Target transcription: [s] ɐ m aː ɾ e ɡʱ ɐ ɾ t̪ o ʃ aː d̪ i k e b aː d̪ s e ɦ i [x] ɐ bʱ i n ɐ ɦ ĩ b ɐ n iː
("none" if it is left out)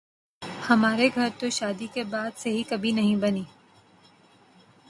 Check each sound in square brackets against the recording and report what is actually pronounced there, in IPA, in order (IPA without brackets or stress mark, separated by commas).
h, k